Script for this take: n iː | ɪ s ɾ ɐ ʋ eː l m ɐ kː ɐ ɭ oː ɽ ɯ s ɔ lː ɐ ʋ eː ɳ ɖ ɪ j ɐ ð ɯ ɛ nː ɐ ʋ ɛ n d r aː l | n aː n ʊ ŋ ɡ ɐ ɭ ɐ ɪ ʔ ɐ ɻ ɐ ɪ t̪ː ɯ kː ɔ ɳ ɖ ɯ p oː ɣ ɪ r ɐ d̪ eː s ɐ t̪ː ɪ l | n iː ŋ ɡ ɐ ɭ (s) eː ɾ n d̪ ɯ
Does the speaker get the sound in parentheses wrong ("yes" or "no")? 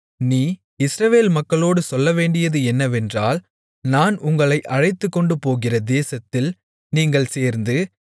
no